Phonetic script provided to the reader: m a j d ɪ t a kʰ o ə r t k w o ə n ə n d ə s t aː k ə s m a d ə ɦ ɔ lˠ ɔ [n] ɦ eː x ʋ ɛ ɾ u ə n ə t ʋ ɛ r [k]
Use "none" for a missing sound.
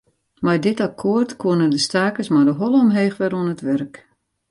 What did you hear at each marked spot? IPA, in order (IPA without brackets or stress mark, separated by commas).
m, k